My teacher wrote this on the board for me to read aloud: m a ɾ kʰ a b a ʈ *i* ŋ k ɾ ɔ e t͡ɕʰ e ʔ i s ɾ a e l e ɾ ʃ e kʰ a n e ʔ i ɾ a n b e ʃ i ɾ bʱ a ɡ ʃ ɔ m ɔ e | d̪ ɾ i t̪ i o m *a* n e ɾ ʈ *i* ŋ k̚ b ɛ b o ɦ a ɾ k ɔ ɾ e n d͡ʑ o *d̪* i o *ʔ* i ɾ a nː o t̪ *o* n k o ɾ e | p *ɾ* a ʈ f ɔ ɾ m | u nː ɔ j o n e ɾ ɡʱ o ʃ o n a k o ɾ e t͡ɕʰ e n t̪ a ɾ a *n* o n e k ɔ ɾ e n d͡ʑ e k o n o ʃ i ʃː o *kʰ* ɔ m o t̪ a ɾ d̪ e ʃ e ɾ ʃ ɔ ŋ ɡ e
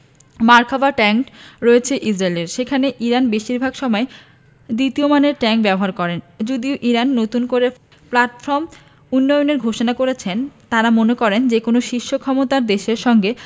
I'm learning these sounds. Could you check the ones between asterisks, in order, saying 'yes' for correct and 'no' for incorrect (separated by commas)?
no, yes, no, yes, yes, no, no, no, yes